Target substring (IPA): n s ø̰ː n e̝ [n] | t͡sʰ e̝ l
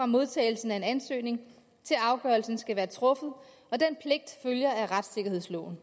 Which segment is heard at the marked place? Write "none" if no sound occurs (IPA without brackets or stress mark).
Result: ŋ